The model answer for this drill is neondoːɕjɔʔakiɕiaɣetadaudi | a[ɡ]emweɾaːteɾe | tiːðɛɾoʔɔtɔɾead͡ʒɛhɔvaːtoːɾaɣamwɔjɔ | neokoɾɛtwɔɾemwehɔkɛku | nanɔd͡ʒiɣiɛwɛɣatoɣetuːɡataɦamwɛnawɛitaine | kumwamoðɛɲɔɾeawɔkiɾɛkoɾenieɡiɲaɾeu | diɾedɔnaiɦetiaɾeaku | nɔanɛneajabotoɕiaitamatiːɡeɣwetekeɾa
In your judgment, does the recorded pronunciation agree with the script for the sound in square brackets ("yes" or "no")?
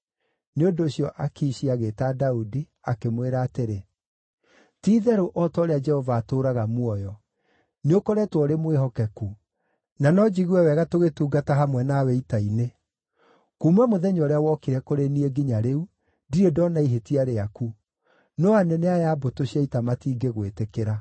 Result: no